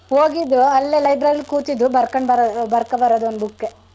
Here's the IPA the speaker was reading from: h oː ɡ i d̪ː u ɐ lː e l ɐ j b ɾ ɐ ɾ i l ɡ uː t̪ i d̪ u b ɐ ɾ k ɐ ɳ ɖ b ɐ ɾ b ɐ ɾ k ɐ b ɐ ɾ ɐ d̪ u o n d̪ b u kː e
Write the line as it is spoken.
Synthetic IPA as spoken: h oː ɡ i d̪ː u ɐ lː e l ɐ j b ɾ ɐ ɾ i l k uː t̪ i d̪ u b ɐ ɾ k ɐ ɳ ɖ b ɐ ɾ b ɐ ɾ k ɐ b ɐ ɾ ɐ d̪ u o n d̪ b u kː e